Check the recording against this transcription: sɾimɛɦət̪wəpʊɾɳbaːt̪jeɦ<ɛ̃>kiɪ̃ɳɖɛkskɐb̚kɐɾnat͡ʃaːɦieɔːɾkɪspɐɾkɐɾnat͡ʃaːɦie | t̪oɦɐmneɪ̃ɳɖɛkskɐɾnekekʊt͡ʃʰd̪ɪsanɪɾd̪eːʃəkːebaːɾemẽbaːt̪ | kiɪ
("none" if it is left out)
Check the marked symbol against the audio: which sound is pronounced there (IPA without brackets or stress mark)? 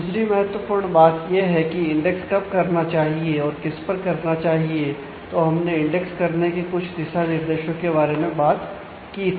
ɛ